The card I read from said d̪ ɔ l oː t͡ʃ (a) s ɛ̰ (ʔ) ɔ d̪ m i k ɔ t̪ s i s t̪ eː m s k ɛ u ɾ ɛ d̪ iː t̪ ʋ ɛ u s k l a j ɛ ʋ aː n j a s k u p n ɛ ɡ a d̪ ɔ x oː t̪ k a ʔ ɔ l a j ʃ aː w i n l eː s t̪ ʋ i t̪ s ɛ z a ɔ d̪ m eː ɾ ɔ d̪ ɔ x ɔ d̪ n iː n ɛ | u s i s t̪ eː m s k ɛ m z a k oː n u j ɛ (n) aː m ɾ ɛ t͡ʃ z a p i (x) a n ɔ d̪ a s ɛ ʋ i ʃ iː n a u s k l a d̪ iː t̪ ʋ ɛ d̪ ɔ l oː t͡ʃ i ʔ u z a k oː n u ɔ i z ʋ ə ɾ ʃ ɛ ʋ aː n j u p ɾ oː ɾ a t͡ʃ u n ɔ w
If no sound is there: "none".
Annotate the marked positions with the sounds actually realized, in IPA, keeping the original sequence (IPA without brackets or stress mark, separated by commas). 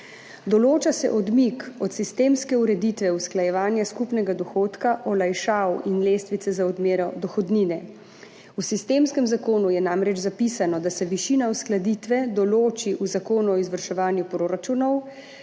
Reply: a, ʔ, n, s